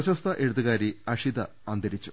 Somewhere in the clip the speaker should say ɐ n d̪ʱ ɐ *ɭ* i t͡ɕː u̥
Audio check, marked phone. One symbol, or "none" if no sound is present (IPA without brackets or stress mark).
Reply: ɾ